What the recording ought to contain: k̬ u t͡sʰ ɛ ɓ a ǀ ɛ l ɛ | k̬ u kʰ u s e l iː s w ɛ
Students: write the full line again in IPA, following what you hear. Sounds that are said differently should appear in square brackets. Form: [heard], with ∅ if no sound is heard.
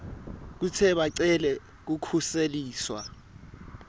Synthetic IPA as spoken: k̬ u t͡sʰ ɛ ɓ a ǀ ɛ l ɛ | k̬ u kʰ u s e l iː s w [a]